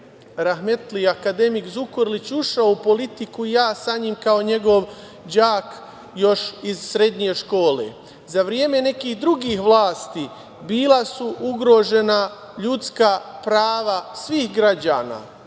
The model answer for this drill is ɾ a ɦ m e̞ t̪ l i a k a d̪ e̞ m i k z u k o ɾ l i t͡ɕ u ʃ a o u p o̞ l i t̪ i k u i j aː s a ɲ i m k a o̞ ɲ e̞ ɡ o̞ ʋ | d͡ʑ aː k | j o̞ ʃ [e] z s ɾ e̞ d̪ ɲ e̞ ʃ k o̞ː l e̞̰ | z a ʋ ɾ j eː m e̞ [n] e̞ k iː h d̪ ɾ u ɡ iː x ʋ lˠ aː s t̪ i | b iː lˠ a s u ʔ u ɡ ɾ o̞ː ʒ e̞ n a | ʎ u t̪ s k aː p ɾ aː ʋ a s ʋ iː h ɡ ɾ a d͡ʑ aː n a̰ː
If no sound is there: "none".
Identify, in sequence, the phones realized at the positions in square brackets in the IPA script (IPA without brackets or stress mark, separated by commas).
i, n